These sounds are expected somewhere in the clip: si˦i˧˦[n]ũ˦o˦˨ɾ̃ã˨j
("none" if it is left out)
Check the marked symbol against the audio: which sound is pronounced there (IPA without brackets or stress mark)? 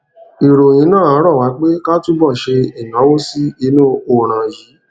n